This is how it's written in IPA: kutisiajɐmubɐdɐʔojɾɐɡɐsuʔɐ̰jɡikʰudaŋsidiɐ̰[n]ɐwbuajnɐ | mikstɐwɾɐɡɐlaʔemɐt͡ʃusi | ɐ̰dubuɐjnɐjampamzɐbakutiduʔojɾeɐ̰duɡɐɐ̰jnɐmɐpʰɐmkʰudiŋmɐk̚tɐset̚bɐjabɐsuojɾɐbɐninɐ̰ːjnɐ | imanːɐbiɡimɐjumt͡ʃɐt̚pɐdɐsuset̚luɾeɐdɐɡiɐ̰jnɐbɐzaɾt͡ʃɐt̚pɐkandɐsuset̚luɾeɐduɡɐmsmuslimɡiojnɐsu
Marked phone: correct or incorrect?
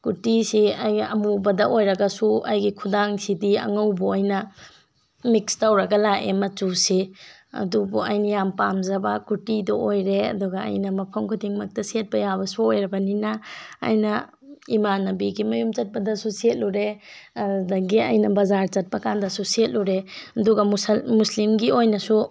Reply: incorrect